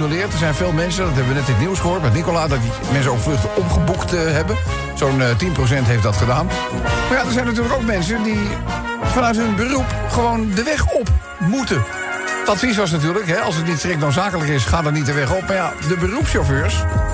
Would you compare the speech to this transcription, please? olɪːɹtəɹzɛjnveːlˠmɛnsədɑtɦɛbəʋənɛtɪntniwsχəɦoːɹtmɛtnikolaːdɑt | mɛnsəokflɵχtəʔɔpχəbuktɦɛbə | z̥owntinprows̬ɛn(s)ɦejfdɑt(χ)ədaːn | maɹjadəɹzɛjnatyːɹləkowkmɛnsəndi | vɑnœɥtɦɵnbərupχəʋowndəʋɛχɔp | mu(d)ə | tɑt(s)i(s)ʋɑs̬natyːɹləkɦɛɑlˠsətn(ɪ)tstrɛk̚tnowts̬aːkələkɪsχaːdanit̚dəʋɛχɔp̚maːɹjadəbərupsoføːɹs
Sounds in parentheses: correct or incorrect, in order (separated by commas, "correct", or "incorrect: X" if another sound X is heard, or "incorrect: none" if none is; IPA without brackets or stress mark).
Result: incorrect: t, correct, incorrect: t, incorrect: f, correct, incorrect: i